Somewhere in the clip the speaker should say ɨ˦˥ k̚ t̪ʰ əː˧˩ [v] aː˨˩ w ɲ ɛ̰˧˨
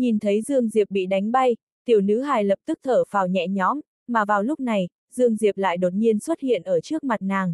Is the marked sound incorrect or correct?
incorrect